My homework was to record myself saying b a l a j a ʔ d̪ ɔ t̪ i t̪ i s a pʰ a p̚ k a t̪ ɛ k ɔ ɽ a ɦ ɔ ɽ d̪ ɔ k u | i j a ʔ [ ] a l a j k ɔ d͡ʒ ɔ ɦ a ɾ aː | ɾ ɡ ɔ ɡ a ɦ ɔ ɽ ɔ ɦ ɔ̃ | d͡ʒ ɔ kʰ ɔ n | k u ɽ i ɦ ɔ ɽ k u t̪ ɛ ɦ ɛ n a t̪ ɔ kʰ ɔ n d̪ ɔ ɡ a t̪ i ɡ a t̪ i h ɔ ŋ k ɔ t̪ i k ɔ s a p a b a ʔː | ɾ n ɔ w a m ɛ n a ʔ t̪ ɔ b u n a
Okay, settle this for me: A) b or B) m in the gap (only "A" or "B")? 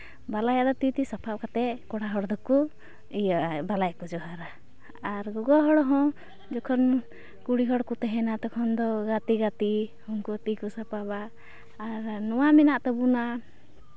A